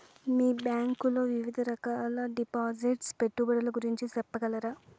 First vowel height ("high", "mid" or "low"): high